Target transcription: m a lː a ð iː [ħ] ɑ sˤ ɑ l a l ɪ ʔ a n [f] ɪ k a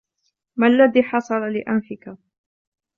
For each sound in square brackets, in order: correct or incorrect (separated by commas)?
correct, correct